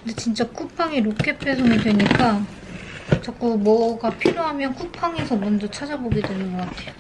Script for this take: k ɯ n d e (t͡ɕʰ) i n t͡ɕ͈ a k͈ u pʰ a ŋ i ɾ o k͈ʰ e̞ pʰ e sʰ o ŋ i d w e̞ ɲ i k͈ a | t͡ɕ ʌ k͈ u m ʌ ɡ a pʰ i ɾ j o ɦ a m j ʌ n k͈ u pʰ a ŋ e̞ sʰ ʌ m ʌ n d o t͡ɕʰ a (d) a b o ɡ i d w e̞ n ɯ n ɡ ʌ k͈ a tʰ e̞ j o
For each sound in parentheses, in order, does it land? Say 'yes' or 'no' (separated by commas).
no, no